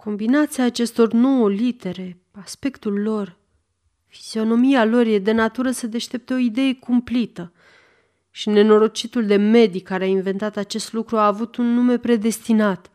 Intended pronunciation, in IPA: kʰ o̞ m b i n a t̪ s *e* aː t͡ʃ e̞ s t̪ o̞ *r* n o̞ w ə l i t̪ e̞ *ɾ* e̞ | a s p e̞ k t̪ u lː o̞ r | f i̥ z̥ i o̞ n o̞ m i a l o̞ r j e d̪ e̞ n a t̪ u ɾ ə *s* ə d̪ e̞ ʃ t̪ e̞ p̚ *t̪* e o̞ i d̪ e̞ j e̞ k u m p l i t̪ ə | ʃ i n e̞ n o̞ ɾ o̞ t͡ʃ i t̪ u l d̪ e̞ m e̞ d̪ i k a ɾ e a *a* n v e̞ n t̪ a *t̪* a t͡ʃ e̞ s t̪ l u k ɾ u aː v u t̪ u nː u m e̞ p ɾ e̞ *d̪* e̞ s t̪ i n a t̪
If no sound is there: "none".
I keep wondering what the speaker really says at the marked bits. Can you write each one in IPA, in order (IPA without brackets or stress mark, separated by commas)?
i, r, ɾ, s, t̪, i, t̪, d̪